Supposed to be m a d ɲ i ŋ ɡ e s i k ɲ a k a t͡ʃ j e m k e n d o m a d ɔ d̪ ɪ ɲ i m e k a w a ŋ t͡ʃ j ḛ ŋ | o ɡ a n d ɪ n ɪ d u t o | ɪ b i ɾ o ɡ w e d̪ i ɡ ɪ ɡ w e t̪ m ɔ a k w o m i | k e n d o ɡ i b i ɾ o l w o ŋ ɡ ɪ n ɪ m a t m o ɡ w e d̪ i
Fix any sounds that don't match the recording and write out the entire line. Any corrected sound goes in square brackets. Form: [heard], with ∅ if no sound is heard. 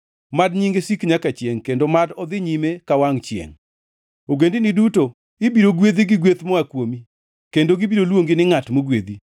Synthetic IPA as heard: m a d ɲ i ŋ ɡ e s i k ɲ a k a t͡ʃ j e [ŋ] k e n d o m a d ɔ d̪ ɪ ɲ i m e k a w a ŋ t͡ʃ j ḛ ŋ | o ɡ [e] n d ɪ n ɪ d u t o | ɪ b i ɾ o ɡ w e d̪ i ɡ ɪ ɡ w e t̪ m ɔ a k w o m i | k e n d o ɡ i b i ɾ o l w o ŋ ɡ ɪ n ɪ [ŋ] a t m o ɡ w e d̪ i